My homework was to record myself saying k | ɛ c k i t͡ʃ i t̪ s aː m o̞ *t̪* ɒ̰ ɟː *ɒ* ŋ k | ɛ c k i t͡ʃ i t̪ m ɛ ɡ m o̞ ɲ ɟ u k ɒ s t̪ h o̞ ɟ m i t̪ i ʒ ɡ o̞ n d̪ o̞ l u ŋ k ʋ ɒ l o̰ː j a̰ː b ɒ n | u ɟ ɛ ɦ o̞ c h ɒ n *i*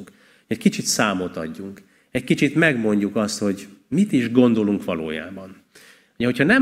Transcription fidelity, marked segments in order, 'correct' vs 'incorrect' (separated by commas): correct, incorrect, incorrect